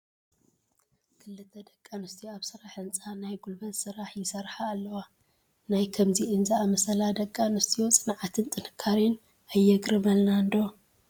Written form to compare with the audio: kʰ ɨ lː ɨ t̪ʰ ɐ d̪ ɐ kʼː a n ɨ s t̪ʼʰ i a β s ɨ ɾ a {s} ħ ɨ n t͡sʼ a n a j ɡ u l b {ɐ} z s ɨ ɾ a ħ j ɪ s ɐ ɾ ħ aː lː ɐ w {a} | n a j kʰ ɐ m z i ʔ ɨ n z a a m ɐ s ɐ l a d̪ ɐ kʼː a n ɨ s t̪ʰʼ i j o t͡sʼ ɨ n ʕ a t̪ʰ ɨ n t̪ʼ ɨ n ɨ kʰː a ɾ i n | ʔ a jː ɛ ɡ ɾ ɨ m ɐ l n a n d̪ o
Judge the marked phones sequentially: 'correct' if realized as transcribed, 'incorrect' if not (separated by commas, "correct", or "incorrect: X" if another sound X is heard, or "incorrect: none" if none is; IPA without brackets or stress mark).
incorrect: none, correct, correct